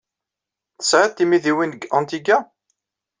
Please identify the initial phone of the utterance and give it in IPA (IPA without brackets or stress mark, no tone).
θ